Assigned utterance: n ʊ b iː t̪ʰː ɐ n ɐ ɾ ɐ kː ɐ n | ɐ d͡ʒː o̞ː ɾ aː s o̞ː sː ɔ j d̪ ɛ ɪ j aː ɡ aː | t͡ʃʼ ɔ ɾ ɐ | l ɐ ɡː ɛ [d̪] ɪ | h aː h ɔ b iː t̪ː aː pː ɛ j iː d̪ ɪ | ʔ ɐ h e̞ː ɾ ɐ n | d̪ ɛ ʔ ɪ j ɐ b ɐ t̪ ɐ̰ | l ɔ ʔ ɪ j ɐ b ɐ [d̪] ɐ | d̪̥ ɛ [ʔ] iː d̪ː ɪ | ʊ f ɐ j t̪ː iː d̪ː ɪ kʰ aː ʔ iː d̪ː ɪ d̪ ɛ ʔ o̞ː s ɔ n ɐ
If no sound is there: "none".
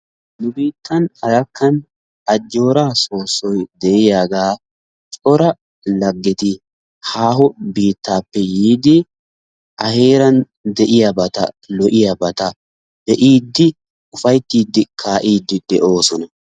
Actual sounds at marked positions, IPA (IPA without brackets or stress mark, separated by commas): t̪, t̪, ʔ